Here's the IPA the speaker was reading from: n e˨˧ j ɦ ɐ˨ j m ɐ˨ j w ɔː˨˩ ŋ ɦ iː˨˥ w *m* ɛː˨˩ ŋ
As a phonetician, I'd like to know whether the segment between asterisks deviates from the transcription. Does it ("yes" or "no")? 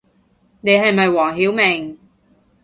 no